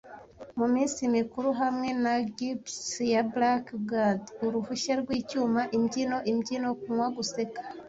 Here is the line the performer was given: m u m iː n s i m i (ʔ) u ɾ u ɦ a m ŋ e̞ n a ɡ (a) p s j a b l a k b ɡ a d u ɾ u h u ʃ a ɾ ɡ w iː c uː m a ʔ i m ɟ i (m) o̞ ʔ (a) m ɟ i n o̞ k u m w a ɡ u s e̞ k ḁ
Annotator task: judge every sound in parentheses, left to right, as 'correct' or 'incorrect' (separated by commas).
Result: incorrect, incorrect, incorrect, incorrect